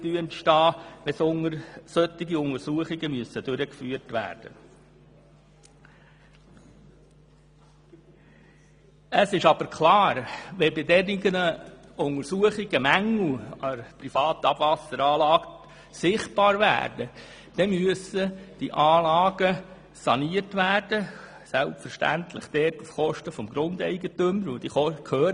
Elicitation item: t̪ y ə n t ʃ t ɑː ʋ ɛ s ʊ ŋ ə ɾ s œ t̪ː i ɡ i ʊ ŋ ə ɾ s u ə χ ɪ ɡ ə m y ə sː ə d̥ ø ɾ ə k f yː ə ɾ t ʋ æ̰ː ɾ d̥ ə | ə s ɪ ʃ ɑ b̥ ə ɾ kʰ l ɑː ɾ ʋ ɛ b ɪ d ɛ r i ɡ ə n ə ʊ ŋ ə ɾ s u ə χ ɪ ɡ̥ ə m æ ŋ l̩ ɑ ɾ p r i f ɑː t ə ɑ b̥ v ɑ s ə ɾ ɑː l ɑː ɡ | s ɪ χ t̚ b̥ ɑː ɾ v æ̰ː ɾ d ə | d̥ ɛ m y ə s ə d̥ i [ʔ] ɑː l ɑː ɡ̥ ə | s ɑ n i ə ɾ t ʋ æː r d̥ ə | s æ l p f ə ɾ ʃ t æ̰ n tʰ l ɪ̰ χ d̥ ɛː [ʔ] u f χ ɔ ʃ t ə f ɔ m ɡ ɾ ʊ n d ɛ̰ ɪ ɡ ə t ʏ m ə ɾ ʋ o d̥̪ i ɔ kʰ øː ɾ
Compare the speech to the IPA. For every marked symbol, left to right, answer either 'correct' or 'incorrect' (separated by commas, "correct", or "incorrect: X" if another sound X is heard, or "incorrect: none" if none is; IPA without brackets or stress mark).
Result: correct, incorrect: t